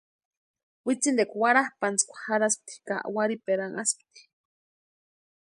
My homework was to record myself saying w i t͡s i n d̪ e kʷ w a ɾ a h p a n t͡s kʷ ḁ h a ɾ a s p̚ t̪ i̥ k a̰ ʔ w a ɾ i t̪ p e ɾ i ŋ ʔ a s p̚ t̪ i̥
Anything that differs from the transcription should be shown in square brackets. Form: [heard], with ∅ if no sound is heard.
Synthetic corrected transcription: w i t͡s i n d̪ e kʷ w a ɾ a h p a n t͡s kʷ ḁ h a ɾ a s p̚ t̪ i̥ k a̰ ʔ w a ɾ i [∅] p e ɾ [a] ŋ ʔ a s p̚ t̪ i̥